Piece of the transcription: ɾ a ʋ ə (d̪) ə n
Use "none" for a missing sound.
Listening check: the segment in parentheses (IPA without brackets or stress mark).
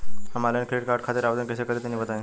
d̪